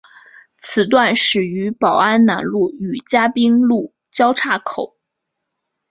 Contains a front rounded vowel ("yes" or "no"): yes